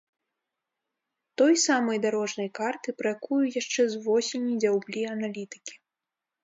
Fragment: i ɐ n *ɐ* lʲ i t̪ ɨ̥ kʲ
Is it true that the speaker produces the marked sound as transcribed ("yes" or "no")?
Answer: no